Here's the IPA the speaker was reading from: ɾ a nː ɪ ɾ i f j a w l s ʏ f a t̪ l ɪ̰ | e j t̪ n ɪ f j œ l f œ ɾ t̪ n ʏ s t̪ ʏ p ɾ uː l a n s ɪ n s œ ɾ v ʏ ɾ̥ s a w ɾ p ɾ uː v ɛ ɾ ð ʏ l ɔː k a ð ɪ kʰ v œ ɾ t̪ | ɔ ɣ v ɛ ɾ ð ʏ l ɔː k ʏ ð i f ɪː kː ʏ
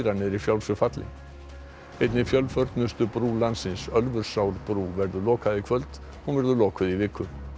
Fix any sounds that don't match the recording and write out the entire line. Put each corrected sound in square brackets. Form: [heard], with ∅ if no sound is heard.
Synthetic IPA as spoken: ɾ a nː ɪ ɾ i f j a w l s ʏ f a t̪ l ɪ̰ | e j t̪ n ɪ f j œ l f œ ɾ t̪ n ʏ s t̪ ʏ p ɾ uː l a n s ɪ n s œ [l] v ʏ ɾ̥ s a w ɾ p ɾ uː v ɛ ɾ ð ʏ l ɔː k a ð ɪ kʰ v œ [l] t̪ | ɔ ɣ v ɛ ɾ ð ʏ l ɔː k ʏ ð i [v] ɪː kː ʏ